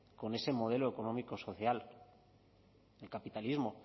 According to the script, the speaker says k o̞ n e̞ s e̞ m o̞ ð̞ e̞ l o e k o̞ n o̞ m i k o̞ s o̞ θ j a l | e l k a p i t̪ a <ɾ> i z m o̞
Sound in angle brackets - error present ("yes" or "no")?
yes